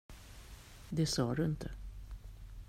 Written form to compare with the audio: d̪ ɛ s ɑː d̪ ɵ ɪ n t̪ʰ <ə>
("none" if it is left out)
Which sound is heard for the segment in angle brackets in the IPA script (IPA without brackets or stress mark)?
ə